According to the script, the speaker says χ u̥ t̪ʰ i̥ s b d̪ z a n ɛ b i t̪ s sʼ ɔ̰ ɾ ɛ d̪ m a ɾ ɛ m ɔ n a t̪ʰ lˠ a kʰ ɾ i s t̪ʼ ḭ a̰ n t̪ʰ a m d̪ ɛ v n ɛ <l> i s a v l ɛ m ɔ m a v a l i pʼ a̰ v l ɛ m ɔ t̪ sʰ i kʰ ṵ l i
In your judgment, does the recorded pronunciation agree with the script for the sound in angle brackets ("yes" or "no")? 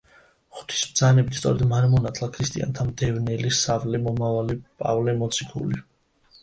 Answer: yes